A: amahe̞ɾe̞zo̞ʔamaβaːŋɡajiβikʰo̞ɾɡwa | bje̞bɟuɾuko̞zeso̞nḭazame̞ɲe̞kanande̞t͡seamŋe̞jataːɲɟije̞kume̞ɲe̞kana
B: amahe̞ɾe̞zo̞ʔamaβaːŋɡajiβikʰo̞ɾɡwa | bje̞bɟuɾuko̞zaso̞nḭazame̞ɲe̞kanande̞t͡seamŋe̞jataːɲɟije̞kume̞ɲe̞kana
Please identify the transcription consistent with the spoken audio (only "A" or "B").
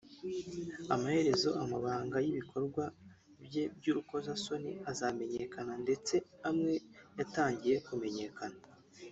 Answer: B